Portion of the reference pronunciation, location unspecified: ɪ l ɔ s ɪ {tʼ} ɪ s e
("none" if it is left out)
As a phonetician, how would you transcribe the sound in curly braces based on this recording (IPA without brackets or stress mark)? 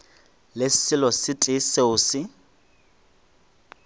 tʼ